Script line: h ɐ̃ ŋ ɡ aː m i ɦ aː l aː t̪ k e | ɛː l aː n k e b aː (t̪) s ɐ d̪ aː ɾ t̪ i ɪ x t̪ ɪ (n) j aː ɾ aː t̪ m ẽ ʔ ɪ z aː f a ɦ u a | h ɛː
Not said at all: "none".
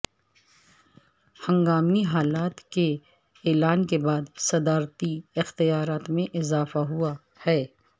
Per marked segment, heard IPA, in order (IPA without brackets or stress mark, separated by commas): d̪, none